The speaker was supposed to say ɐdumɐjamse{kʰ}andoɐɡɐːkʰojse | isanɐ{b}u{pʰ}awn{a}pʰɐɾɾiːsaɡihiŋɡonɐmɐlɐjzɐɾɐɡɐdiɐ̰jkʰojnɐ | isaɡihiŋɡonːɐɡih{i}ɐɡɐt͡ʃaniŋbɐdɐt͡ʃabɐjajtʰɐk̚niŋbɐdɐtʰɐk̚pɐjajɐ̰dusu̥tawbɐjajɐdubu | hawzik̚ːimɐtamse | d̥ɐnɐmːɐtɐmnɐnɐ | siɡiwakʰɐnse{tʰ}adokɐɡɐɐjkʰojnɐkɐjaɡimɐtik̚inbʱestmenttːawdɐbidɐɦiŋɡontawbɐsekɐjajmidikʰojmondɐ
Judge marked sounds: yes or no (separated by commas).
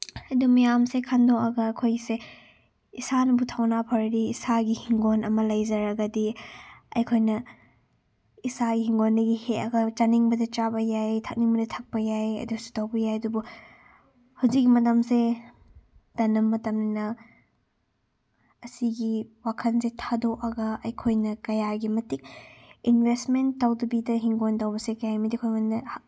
yes, yes, no, yes, no, yes